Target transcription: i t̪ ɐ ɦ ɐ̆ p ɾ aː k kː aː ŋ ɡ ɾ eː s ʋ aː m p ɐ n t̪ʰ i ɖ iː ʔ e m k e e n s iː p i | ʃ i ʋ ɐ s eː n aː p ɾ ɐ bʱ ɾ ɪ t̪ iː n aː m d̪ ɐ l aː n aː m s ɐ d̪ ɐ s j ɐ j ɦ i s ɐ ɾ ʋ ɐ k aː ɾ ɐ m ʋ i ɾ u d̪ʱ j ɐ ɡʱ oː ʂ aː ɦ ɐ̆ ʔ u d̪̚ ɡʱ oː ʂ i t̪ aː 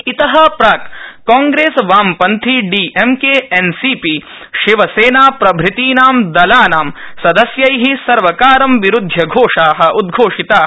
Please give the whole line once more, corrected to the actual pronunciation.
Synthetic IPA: i t̪ ɐ ɦ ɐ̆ p ɾ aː k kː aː ŋ ɡ ɾ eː s ʋ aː m p ɐ n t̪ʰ i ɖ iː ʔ e m k e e n s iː p i | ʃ i ʋ ɐ s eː n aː p ɾ ɐ bʱ ɾ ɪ t̪ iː n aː m d̪ ɐ l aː n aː m s ɐ d̪ ɐ s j ɐ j ɦ i s ɐ ɾ ʋ ɐ k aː ɾ ɐ m ʋ i ɾ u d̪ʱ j ɐ ɡʱ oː ʂ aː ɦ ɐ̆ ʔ u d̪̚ ɡʱ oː ʂ i t̪ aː

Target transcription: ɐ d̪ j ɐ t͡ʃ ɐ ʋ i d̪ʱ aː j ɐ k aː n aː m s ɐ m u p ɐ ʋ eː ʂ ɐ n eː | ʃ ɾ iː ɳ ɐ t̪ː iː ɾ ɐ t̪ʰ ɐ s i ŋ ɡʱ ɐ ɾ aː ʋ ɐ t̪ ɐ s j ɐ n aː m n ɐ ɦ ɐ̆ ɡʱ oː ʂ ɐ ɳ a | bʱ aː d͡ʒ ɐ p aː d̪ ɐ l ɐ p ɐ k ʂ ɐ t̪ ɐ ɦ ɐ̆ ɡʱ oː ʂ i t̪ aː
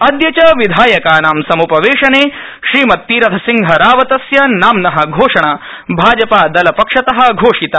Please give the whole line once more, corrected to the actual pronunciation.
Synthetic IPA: ɐ d̪ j ɐ t͡ʃ ɐ ʋ i d̪ʱ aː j ɐ k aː n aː m s ɐ m u p ɐ ʋ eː ʂ ɐ n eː | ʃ ɾ iː m ɐ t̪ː iː ɾ ɐ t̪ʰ ɐ s i ŋ ɡʱ ɐ ɾ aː ʋ ɐ t̪ ɐ s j ɐ n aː m n ɐ ɦ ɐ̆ ɡʱ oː ʂ ɐ ɳ a | bʱ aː d͡ʒ ɐ p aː d̪ ɐ l ɐ p ɐ k ʂ ɐ t̪ ɐ ɦ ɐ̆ ɡʱ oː ʂ i t̪ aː

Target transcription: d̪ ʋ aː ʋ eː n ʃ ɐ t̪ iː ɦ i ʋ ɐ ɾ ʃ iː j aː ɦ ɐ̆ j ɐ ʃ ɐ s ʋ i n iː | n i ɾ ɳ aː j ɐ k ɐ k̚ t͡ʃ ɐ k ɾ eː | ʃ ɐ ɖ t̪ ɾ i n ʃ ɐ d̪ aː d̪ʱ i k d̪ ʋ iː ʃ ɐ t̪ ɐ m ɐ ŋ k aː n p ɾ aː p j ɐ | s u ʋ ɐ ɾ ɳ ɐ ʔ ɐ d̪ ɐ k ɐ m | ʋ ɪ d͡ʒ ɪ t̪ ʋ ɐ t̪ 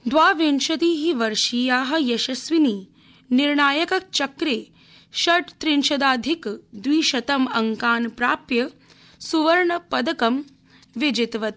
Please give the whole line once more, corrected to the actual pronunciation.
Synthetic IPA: d̪ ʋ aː ʋ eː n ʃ ɐ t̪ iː ɦ i ʋ ɐ ɾ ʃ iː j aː ɦ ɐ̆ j ɐ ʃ ɐ s ʋ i n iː | n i ɾ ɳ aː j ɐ k ɐ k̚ t͡ʃ ɐ k ɾ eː | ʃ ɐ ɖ t̪ ɾ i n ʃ ɐ d̪ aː d̪ʱ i k d̪ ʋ iː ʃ ɐ t̪ ɐ m ɐ ŋ k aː n p ɾ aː p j ɐ | s u ʋ ɐ ɾ ɳ ɐ p ɐ d̪ ɐ k ɐ m | ʋ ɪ d͡ʒ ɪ t̪ ʋ ɐ t̪

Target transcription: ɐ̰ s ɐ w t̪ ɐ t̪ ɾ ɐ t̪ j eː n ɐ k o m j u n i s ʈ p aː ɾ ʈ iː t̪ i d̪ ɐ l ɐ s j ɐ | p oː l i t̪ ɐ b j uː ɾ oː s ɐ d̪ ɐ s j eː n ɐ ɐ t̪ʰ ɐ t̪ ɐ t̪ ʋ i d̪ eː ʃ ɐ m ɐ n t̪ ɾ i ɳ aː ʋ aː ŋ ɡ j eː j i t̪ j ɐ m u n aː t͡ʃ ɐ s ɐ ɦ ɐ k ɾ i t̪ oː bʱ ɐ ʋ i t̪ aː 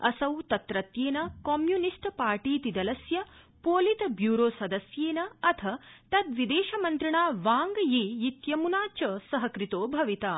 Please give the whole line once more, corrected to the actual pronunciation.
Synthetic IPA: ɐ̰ s ɐ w t̪ ɐ t̪ ɾ ɐ t̪ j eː n ɐ k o m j u n i s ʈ p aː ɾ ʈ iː t̪ i d̪ ɐ l ɐ s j ɐ | p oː l i t̪ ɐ b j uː ɾ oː s ɐ d̪ ɐ s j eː n ɐ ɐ t̪ʰ ɐ t̪ ɐ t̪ ʋ i d̪ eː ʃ ɐ m ɐ n t̪ ɾ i ɳ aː ʋ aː ŋ ɡ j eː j i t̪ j ɐ m u n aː t͡ʃ ɐ s ɐ ɦ ɐ k ɾ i t̪ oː bʱ ɐ ʋ i t̪ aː

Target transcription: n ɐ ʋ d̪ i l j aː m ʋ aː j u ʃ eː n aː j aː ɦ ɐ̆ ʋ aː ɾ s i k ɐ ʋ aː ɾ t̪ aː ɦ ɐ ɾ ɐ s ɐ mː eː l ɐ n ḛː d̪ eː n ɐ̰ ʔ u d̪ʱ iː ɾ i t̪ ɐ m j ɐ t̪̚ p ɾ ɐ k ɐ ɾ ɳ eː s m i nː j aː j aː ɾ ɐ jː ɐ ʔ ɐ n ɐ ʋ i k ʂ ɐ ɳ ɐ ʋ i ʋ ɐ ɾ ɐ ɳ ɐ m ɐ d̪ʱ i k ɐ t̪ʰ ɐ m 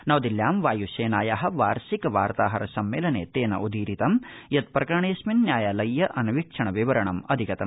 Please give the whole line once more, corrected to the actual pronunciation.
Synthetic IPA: n ɐ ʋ d̪ i l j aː m ʋ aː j u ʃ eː n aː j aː ɦ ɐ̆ ʋ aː ɾ s i k ɐ ʋ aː ɾ t̪ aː ɦ ɐ ɾ ɐ s ɐ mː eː l ɐ n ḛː t̪ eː n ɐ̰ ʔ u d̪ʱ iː ɾ i t̪ ɐ m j ɐ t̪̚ p ɾ ɐ k ɐ ɾ ɳ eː s m i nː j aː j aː l ɐ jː ɐ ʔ ɐ n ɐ ʋ i k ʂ ɐ ɳ ɐ ʋ i ʋ ɐ ɾ ɐ ɳ ɐ m ɐ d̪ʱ i k ɐ t̪ ɐ m

